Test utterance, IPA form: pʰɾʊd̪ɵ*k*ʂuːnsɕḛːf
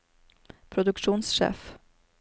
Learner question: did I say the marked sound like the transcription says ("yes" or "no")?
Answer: yes